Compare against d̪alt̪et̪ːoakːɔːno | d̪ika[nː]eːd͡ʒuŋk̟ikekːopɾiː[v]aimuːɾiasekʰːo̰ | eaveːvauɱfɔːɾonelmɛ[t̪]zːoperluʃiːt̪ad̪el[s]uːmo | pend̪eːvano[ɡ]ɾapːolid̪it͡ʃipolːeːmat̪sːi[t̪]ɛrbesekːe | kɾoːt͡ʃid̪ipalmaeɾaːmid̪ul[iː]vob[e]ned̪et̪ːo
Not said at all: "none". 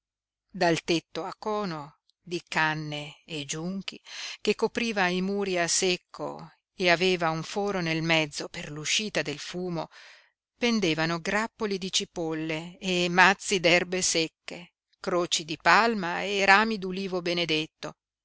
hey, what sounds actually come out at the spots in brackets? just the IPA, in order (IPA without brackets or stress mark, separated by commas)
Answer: nː, v, d̪, f, ɡ, d̪, iː, e